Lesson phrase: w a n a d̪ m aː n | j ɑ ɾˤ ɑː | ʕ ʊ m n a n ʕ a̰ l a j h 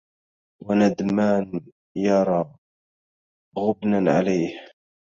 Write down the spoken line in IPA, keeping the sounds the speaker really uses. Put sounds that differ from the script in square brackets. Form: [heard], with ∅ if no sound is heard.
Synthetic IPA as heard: w a n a d̪ m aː n | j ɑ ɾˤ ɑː | [ɣ] ʊ [b] n a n ʕ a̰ l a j h